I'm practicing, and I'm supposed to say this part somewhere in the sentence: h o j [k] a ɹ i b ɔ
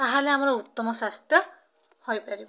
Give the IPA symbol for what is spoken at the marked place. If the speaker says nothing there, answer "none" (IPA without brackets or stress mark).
p